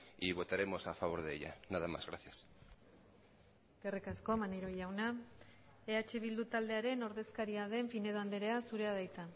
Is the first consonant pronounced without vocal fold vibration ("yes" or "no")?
no